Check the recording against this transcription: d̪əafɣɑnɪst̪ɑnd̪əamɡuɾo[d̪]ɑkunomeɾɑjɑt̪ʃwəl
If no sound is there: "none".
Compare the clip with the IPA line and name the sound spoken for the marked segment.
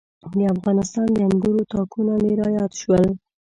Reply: t̪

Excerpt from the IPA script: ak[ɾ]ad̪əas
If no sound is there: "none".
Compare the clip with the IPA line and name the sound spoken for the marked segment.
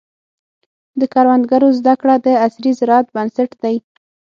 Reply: ɽ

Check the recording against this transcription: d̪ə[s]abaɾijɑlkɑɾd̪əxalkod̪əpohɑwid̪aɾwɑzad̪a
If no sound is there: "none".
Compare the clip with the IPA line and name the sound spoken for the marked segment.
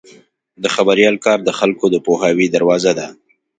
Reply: x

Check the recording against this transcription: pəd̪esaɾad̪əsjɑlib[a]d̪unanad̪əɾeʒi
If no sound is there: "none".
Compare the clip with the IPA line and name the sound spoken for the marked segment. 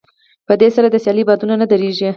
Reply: ɑ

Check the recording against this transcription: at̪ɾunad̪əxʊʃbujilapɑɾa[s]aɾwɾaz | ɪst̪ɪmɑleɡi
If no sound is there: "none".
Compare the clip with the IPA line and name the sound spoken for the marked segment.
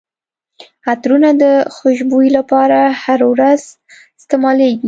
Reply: h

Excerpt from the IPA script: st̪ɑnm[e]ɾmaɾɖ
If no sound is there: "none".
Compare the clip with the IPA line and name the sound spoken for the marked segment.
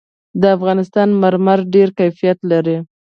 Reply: a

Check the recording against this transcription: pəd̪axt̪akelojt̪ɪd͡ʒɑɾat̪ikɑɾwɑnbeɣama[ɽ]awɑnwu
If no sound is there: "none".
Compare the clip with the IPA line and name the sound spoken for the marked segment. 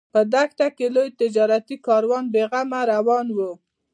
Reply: ɾ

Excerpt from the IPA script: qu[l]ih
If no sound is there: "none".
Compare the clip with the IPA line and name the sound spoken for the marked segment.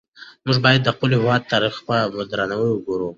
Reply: l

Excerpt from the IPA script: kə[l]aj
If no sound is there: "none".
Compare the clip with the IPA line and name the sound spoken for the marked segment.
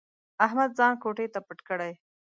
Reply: ɽ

